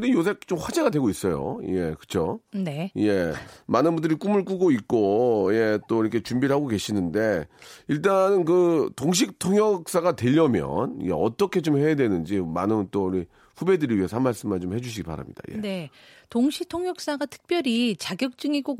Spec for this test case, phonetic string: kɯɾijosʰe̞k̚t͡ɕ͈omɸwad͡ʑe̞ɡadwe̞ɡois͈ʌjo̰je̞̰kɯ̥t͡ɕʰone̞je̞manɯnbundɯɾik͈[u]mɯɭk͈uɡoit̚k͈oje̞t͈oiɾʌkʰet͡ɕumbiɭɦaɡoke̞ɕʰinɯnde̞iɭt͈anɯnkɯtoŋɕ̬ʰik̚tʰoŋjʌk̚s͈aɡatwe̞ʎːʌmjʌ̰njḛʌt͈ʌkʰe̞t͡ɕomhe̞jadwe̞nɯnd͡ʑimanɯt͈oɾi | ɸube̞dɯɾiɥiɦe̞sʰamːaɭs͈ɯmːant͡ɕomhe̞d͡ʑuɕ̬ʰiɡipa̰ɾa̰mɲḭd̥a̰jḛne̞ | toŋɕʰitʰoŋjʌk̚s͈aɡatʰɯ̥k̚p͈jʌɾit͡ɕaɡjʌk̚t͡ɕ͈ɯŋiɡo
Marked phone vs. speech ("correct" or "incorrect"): correct